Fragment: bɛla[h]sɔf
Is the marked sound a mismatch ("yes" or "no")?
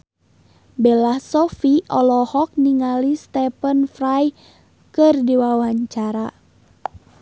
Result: no